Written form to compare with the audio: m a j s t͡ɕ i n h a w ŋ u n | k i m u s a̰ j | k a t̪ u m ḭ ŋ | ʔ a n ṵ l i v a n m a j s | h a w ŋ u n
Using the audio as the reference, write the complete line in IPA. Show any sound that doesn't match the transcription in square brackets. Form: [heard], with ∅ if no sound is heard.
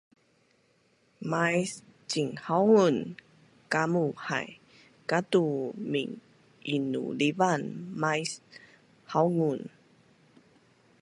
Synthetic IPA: m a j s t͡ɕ i [ŋ] h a w ŋ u n | k [a] m u [h] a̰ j | k a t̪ u m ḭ ŋ | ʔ [i] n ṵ l i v a n m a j s | h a w ŋ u n